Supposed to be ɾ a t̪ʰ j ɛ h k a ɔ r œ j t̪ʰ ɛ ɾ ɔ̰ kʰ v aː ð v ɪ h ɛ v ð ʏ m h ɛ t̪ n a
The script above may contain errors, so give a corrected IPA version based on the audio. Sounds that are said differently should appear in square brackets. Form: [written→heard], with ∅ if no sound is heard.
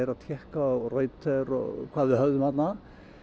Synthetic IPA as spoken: ɾ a t̪ʰ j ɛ h k a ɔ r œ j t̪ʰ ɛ ɾ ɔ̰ kʰ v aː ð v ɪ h [ɛ→œ] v ð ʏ m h [ɛ→a] t̪ n a